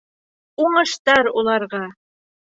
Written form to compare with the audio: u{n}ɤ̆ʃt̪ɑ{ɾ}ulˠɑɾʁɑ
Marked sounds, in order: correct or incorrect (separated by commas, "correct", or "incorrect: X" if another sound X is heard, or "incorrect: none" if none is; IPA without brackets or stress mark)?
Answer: incorrect: ɴ, correct